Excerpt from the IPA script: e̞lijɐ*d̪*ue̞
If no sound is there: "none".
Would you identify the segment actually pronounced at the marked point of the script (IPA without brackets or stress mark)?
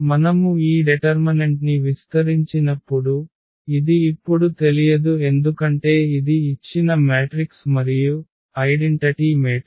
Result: d̪